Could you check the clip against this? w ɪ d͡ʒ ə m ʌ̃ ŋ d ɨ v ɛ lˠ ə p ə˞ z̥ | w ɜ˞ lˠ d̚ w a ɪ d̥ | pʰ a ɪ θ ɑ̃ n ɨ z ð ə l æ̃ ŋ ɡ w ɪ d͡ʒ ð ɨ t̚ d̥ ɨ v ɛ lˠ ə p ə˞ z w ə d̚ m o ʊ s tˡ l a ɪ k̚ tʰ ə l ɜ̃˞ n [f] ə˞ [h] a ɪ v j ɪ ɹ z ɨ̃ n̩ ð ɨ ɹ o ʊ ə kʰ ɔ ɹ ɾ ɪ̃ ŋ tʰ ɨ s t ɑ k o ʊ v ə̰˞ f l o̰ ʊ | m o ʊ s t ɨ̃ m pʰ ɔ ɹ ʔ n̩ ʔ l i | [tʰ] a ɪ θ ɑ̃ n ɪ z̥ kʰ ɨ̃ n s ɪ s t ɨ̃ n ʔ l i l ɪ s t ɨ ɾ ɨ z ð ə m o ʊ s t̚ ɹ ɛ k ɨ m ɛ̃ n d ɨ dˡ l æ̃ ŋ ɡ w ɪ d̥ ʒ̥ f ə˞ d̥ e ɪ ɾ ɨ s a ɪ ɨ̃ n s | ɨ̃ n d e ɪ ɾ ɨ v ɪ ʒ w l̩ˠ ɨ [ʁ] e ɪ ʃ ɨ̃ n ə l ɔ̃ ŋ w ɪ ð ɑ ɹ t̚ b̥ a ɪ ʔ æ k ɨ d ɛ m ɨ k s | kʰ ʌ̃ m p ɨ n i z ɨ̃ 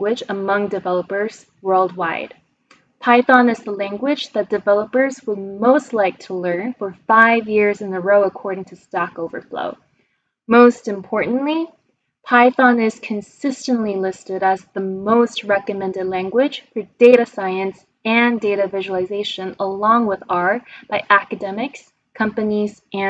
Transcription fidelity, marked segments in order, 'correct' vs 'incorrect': correct, incorrect: f, incorrect: pʰ, incorrect: z

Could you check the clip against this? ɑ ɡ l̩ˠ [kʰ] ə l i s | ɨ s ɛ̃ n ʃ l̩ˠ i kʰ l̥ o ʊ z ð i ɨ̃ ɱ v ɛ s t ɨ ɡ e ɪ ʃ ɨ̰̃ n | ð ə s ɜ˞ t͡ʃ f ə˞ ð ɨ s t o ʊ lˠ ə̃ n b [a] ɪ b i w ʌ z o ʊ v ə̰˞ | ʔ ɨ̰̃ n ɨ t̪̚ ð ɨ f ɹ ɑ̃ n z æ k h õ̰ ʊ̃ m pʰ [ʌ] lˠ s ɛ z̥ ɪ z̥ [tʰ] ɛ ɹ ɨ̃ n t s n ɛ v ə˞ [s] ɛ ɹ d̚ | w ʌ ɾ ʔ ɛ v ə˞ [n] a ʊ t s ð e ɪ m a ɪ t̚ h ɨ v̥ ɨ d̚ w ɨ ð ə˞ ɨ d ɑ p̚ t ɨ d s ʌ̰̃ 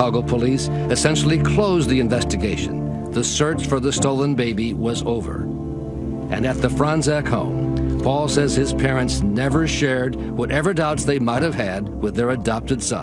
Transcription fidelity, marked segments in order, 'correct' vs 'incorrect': incorrect: pʰ, incorrect: e, incorrect: ɔ, incorrect: pʰ, incorrect: ʃ, incorrect: d

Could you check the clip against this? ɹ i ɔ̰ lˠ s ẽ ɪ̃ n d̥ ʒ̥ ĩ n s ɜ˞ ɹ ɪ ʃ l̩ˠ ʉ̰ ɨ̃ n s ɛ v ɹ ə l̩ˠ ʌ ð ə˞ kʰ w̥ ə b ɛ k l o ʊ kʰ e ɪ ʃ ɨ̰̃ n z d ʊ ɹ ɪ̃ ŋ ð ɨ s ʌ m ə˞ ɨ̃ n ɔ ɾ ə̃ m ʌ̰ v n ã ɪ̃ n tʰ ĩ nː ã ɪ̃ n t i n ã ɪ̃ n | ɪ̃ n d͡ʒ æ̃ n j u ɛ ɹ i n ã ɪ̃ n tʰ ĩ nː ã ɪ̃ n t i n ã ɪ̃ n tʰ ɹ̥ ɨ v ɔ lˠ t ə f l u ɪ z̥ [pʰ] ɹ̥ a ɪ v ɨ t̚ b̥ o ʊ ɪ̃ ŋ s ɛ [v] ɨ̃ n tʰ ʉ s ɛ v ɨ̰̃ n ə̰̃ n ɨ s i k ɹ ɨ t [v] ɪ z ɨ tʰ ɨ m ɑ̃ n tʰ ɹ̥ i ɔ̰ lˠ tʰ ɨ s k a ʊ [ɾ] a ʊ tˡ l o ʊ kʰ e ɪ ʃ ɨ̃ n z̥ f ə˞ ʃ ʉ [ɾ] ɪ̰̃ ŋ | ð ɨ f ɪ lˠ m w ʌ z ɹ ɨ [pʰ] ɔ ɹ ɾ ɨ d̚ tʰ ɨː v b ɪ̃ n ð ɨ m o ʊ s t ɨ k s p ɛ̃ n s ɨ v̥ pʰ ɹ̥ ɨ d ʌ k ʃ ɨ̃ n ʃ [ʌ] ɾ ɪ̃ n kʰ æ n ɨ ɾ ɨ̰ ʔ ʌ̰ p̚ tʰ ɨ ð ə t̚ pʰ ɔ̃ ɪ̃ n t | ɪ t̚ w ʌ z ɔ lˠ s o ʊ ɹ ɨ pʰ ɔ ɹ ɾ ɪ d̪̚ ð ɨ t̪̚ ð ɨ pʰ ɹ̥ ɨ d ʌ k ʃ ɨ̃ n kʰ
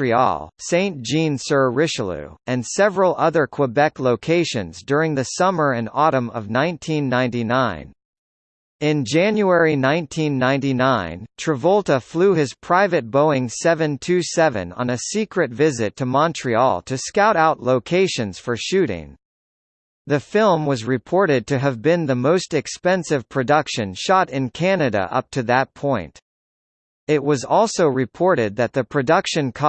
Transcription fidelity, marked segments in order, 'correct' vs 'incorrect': correct, correct, correct, correct, correct, correct, incorrect: ɑ

